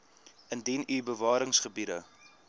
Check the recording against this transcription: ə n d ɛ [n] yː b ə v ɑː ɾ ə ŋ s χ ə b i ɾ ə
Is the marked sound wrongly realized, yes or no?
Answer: no